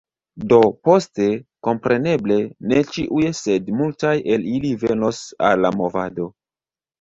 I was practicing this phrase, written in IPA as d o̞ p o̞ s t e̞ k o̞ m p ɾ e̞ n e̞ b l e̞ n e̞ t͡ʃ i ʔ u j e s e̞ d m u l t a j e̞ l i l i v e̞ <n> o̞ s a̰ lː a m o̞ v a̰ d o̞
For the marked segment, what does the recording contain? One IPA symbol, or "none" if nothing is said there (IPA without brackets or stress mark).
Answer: n